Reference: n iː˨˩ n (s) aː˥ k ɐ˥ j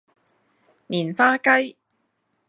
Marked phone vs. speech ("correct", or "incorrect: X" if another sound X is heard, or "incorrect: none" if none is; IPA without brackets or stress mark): incorrect: f